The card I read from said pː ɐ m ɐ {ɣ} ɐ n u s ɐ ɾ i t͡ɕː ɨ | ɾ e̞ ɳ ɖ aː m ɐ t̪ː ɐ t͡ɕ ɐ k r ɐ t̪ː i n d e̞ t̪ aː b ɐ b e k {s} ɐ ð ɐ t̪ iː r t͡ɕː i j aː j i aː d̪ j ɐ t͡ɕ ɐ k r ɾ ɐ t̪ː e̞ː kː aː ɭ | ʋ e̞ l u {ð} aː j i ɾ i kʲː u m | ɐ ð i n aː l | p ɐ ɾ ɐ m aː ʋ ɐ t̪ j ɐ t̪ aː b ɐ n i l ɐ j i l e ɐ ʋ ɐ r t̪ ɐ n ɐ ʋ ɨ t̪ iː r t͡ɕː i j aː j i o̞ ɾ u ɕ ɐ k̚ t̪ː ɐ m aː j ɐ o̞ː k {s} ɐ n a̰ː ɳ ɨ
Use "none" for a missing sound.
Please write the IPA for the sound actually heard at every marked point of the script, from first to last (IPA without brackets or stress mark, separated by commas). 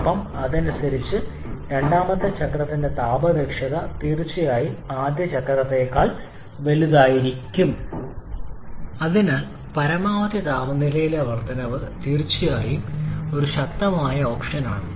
ð, ʂ, ð, ʂ